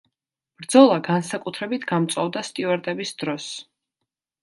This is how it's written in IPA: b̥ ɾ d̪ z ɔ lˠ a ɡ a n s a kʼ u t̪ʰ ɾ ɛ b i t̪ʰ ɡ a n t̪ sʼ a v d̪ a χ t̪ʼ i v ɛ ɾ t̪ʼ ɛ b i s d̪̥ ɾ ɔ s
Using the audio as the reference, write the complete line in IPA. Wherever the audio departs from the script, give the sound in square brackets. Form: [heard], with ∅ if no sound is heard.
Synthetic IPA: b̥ ɾ d̪ z ɔ lˠ a ɡ a n s a kʼ u t̪ʰ ɾ ɛ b i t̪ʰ ɡ a [m] t̪ sʼ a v d̪ a [s] t̪ʼ i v ɛ ɾ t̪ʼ ɛ b i s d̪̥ ɾ ɔ s

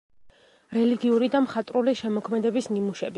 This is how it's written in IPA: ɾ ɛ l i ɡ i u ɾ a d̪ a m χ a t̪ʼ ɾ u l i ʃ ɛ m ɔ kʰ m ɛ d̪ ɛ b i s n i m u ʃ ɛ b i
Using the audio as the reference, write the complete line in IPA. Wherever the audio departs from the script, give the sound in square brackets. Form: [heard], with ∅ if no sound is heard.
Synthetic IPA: ɾ ɛ l i ɡ i u ɾ [i] d̪ a m χ a t̪ʼ ɾ u l i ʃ ɛ m ɔ kʰ m ɛ d̪ ɛ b i s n i m u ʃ ɛ b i

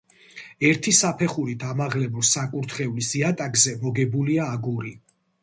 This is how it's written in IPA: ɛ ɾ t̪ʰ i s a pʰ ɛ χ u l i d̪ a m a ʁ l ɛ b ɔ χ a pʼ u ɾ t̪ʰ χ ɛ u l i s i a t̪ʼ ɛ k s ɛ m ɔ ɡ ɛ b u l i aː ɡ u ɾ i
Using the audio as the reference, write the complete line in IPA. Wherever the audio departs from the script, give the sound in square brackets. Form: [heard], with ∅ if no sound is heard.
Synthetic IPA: ɛ ɾ t̪ʰ i s a pʰ ɛ χ u [ɾ] i d̪ a m a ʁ l ɛ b ɔ [s] a [kʼ] u ɾ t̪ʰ χ ɛ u l i s i a t̪ʼ [a] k [z] ɛ m ɔ ɡ ɛ b u l i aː ɡ u ɾ i

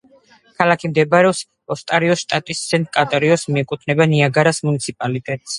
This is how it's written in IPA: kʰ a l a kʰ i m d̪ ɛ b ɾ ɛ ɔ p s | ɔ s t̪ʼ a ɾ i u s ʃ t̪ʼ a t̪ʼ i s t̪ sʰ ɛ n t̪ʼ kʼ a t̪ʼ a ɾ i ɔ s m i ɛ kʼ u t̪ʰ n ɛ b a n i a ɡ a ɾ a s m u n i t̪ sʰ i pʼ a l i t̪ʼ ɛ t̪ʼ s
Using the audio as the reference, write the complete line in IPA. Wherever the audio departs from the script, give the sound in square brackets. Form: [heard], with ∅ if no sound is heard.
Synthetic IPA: kʰ a l a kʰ i m d̪ ɛ b ɾ ɛ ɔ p s | ɔ s t̪ʼ a ɾ i [ɔ] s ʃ t̪ʼ a t̪ʼ i s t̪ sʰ ɛ n t̪ʼ kʼ a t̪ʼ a ɾ i ɔ s m i ɛ kʼ u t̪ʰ n ɛ b a n i a ɡ a ɾ a s m u n i t̪ sʰ i pʼ a l i t̪ʼ ɛ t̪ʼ s

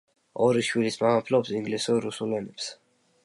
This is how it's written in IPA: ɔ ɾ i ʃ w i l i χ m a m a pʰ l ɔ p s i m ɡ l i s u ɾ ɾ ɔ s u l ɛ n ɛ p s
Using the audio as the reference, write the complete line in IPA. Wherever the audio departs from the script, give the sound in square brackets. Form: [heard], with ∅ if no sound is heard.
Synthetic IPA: ɔ ɾ i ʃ w i l i [s] m a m a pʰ l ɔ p s i [ŋ] ɡ l i s u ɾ ɾ [u] s u l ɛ n ɛ p s

